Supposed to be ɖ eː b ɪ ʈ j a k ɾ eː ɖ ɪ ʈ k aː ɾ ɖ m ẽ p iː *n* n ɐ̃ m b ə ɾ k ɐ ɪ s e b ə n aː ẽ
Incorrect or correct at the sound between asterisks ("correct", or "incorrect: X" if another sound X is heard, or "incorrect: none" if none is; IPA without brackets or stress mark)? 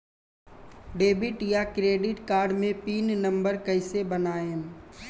correct